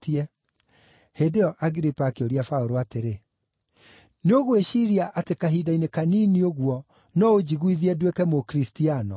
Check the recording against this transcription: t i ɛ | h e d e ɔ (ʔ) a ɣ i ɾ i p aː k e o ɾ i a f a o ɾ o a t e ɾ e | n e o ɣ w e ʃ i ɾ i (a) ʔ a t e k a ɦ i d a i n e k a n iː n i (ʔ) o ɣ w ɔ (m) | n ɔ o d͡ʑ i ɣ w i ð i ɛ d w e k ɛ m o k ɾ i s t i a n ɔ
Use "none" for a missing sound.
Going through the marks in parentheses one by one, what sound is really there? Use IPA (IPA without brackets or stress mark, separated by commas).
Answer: ʔ, a, none, none